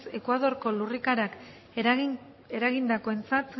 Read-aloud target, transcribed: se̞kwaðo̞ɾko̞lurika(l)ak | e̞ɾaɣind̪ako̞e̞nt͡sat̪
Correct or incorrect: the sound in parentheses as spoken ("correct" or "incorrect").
incorrect